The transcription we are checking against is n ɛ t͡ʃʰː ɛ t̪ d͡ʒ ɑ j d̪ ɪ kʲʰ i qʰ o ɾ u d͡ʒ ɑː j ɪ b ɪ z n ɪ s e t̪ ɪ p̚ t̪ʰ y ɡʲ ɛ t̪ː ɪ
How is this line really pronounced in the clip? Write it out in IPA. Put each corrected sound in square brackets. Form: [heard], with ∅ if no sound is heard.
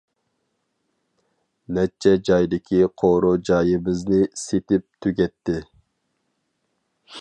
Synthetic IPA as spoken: n ɛ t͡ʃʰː ɛ [∅] d͡ʒ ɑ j d̪ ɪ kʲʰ i qʰ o ɾ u d͡ʒ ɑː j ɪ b ɪ z n ɪ s e t̪ ɪ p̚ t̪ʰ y ɡʲ ɛ t̪ː ɪ